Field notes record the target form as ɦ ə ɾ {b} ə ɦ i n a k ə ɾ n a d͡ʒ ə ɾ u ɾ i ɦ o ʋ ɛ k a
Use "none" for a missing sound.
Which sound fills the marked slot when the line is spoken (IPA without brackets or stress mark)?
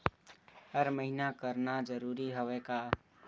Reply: m